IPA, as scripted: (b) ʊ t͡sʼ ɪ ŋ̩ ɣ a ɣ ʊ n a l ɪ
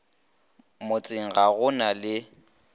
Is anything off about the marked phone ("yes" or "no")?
yes